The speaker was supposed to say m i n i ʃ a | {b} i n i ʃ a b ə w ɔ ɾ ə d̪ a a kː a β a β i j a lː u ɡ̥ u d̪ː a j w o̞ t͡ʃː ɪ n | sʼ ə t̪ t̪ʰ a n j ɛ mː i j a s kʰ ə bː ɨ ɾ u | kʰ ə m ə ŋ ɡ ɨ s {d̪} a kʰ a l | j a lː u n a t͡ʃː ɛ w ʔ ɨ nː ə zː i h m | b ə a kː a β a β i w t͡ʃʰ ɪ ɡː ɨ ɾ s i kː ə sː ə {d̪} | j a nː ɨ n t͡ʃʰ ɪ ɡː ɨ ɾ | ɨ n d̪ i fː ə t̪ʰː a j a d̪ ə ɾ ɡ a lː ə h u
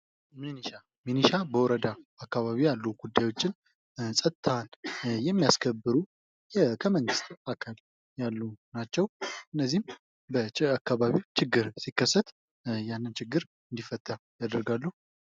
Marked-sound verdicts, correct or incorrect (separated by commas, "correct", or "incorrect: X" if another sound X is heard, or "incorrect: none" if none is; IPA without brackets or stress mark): incorrect: m, incorrect: t̪, incorrect: t̪